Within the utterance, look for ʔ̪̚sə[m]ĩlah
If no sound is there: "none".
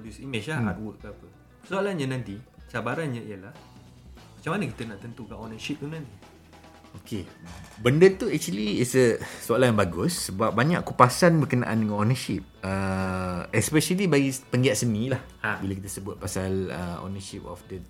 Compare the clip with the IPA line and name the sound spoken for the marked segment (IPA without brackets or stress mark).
n